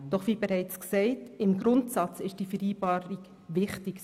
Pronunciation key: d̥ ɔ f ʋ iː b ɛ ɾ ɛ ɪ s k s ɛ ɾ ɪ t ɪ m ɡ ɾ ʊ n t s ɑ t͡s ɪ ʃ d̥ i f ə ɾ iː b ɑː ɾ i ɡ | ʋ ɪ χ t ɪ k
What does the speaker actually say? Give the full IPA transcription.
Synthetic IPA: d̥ ɔ χ ʋ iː b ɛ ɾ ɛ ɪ t͡s k s ɛ ɪ t ɪ m ɡ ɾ ʊ n t s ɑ t͡s ɪ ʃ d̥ i f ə ɾ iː b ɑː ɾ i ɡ | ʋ ɪ χ t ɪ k